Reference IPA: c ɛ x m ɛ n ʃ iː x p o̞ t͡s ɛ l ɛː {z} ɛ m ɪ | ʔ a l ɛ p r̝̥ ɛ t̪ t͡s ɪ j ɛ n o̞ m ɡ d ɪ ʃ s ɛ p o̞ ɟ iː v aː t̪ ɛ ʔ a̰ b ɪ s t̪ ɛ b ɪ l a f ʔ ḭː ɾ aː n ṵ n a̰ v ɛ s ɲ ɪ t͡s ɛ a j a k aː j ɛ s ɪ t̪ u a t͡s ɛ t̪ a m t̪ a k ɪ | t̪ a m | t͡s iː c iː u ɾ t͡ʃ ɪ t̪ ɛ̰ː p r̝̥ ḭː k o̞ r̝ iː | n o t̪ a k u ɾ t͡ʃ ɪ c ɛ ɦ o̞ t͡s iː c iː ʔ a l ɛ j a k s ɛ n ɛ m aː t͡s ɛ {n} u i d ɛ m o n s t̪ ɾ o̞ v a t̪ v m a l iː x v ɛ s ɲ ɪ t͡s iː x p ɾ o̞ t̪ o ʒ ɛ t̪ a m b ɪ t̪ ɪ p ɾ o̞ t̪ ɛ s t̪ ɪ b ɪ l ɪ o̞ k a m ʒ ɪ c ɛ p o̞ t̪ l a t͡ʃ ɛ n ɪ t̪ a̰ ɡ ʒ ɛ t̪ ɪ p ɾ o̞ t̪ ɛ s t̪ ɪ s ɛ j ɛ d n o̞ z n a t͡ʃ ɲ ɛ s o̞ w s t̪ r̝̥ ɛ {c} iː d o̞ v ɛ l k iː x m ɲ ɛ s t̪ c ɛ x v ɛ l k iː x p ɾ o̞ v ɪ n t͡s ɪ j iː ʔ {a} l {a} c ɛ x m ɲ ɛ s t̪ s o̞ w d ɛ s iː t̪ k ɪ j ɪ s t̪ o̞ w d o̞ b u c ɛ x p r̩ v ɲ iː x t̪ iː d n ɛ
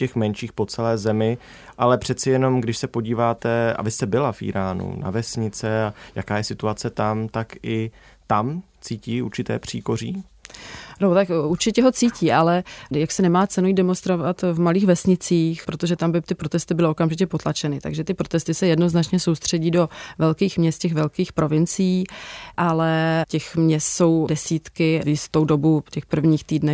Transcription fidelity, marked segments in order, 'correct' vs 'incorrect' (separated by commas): correct, correct, incorrect, correct, incorrect